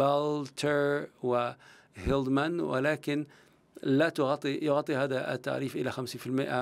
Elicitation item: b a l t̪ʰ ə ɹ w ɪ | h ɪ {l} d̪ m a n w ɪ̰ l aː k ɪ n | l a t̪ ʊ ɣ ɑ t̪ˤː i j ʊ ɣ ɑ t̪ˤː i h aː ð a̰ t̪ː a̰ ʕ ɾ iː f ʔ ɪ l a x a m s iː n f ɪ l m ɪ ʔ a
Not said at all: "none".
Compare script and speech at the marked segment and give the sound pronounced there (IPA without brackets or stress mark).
l